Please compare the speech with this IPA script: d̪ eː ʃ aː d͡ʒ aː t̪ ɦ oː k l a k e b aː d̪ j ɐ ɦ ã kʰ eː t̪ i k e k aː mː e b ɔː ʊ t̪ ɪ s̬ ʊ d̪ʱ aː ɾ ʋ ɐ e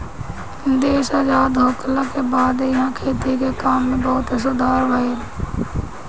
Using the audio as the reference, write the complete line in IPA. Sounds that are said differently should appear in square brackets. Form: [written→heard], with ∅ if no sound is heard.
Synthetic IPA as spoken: d̪ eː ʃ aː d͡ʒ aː [t̪→d̪] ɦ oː k l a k e b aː d̪ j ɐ ɦ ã kʰ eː t̪ i k e k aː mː [e→ẽ] b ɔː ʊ t̪ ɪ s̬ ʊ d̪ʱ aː ɾ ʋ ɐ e